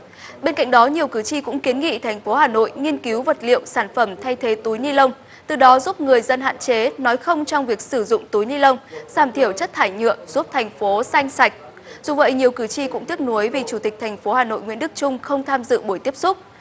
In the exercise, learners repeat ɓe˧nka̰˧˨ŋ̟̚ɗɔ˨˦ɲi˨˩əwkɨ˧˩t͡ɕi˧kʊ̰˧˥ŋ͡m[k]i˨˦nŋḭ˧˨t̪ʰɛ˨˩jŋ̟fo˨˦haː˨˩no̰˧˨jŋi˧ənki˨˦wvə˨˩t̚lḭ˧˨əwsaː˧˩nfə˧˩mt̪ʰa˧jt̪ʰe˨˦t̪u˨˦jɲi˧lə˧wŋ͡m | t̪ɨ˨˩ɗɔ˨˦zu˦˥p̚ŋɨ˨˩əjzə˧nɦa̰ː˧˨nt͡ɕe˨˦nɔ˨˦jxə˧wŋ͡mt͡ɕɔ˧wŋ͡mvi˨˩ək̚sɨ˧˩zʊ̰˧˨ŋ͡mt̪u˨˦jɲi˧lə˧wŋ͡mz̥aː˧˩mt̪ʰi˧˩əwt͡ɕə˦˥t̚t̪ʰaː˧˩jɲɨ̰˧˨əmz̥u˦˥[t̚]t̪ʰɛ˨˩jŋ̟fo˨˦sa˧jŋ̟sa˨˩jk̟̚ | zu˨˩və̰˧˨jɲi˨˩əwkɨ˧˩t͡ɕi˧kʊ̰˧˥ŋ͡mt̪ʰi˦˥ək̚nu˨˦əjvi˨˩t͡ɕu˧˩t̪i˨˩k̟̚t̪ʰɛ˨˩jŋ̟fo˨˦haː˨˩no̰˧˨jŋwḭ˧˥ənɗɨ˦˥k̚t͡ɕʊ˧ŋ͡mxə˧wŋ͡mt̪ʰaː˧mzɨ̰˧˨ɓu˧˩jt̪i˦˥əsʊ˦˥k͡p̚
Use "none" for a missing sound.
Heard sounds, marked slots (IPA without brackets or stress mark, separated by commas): k, p̚